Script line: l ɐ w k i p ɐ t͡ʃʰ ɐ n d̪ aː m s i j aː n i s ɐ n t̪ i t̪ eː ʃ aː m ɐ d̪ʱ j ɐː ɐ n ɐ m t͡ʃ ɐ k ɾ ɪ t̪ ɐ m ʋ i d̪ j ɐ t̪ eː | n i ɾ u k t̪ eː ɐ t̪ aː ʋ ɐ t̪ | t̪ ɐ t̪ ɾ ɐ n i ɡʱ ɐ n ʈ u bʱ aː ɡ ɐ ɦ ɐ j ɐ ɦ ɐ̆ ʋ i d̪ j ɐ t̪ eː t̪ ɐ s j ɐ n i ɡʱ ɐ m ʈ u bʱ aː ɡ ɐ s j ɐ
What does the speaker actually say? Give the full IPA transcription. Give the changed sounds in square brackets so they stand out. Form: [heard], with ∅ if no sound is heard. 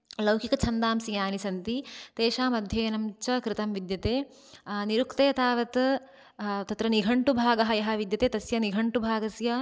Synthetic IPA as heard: l ɐ w k i [k] ɐ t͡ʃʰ ɐ n d̪ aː m s i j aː n i s ɐ n t̪ i t̪ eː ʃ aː m ɐ d̪ʱ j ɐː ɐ n ɐ m t͡ʃ ɐ k ɾ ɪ t̪ ɐ m ʋ i d̪ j ɐ t̪ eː | n i ɾ u k t̪ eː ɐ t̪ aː ʋ ɐ t̪ | t̪ ɐ t̪ ɾ ɐ n i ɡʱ ɐ [ɳ] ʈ u bʱ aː ɡ ɐ ɦ ɐ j ɐ ɦ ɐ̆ ʋ i d̪ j ɐ t̪ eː t̪ ɐ s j ɐ n i ɡʱ ɐ [ɳ] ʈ u bʱ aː ɡ ɐ s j ɐ

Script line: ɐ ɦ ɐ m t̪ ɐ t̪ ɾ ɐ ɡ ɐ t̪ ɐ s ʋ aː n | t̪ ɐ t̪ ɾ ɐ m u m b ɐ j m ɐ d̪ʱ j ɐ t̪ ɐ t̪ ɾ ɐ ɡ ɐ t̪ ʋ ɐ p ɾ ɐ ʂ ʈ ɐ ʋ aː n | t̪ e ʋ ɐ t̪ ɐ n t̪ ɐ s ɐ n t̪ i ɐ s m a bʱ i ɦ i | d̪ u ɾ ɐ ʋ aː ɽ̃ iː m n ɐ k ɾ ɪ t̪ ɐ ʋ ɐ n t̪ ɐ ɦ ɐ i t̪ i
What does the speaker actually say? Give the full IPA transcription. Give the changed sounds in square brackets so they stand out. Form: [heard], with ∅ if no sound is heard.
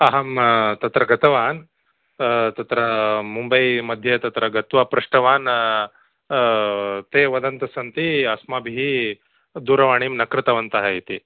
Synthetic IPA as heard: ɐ ɦ ɐ m t̪ ɐ t̪ ɾ ɐ ɡ ɐ t̪ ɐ [∅] ʋ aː n | t̪ ɐ t̪ ɾ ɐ m u m b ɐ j m ɐ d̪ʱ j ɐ t̪ ɐ t̪ ɾ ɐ ɡ ɐ t̪ ʋ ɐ p ɾ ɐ ʂ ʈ ɐ ʋ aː n | t̪ e ʋ ɐ [d̪] ɐ n t̪ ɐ s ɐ n t̪ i ɐ s m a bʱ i ɦ i | d̪ u ɾ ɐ ʋ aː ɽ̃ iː m n ɐ k ɾ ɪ t̪ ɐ ʋ ɐ n t̪ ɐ ɦ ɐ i t̪ i

